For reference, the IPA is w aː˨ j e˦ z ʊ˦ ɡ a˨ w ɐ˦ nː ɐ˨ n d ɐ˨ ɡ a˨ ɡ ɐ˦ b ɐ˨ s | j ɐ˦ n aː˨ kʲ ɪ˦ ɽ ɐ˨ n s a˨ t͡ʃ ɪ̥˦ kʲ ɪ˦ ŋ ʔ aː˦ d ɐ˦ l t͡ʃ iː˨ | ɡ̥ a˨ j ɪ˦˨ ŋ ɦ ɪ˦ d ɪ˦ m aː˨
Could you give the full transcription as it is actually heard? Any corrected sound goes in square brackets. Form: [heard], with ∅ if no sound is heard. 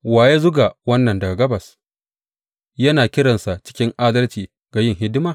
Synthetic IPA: w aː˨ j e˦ z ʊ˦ ɡ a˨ w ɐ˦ nː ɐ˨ n d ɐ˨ ɡ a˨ ɡ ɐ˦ b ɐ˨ s | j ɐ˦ n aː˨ kʲ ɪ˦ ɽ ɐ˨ n s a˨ t͡ʃ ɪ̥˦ kʲ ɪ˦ ŋ ʔ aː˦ d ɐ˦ l t͡ʃ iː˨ | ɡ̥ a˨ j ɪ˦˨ ŋ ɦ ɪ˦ d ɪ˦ m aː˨